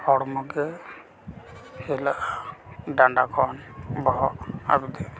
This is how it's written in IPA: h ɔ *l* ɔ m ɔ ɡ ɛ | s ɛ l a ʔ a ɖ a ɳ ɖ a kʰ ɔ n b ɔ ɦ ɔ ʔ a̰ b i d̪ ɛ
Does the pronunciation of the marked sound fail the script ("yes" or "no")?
yes